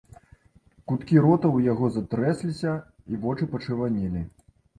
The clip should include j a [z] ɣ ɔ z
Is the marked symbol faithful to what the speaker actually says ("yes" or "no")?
no